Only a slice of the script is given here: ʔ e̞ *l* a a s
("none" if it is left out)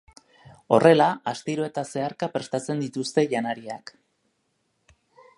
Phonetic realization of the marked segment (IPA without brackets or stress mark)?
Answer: l